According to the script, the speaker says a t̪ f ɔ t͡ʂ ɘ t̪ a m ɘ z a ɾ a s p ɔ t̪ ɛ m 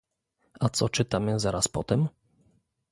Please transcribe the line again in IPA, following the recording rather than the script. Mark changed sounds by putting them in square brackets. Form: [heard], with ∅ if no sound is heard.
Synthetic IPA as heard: a t̪ [s] ɔ t͡ʂ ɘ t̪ a m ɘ z a ɾ a s p ɔ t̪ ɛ m